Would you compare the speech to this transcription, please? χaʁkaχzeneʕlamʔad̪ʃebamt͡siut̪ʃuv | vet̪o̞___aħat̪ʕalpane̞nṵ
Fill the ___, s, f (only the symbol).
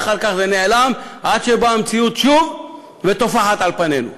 f